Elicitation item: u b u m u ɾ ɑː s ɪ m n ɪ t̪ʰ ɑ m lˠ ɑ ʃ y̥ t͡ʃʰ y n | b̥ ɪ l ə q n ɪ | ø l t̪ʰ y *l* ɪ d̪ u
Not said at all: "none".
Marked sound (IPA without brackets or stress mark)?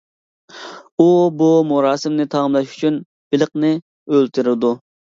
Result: ɾ